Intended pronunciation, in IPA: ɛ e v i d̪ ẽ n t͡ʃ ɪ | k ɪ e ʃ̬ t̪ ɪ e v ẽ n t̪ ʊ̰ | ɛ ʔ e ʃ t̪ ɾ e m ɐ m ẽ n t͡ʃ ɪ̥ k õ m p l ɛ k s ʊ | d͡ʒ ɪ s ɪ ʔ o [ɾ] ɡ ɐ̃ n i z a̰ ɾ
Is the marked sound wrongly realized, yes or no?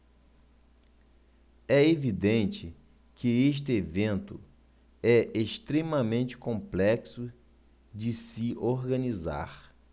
no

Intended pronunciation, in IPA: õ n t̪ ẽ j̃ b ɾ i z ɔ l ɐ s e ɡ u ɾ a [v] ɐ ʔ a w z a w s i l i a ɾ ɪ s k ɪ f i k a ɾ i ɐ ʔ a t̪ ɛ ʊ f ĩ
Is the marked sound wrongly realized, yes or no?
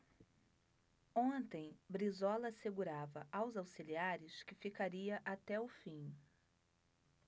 no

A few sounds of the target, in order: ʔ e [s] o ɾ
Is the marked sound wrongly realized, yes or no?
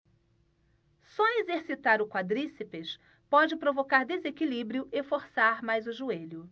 yes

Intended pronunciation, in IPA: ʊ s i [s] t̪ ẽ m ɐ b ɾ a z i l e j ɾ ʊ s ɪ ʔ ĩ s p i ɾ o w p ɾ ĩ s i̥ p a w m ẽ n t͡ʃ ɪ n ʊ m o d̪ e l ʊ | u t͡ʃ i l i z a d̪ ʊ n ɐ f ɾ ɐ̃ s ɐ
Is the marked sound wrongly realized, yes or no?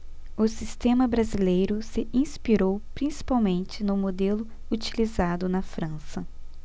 no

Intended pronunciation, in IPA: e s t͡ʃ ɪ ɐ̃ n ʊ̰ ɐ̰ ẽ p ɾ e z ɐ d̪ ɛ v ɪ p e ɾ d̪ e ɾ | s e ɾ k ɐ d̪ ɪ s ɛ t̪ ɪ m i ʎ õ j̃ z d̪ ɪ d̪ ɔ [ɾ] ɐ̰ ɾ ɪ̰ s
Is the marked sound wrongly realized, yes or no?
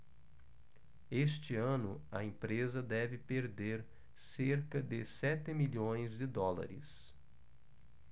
yes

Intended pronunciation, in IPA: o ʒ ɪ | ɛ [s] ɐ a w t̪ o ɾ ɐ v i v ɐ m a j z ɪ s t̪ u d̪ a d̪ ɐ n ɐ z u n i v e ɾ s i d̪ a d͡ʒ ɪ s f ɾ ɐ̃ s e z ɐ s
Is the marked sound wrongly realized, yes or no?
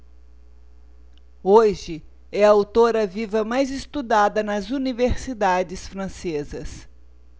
yes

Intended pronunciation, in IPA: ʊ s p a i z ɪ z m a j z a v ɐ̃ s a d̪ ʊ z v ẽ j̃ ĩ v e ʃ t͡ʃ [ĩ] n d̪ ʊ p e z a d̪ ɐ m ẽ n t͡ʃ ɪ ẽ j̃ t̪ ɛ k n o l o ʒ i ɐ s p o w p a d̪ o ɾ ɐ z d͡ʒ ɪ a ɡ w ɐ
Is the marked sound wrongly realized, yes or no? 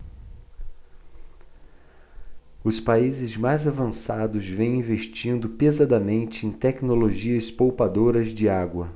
no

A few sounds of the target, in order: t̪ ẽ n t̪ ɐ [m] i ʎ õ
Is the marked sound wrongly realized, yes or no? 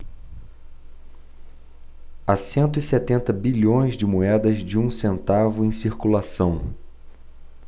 yes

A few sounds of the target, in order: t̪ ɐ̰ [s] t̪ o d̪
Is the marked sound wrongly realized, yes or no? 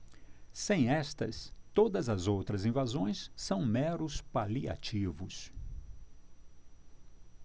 no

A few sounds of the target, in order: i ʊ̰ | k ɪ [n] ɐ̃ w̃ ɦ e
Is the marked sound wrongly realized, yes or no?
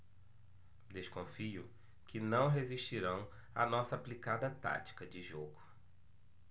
no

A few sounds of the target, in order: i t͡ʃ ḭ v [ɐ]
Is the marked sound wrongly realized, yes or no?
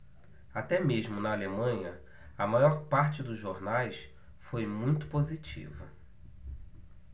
no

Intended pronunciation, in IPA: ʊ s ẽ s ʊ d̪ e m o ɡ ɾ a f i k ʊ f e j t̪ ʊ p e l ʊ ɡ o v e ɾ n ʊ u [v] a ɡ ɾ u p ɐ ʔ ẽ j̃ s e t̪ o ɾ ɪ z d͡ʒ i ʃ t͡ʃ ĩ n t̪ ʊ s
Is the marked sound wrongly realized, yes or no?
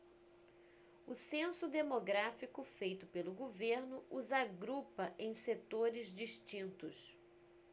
yes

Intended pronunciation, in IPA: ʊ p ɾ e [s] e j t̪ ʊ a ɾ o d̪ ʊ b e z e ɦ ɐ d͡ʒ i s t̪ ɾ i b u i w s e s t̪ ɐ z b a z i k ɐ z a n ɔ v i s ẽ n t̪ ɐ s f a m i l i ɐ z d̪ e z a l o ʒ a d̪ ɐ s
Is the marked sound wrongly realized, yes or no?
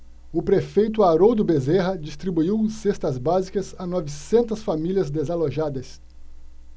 yes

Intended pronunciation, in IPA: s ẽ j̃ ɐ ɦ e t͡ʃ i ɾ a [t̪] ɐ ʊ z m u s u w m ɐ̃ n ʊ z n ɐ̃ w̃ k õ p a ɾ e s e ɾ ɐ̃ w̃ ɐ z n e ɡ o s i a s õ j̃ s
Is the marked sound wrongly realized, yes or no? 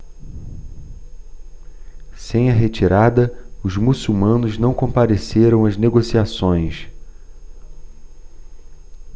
yes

